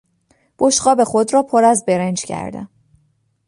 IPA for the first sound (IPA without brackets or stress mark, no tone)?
b̥